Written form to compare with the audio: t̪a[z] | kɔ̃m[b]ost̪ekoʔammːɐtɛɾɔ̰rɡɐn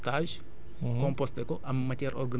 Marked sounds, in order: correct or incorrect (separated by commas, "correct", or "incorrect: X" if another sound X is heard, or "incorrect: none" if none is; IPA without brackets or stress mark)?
incorrect: ʒ, incorrect: p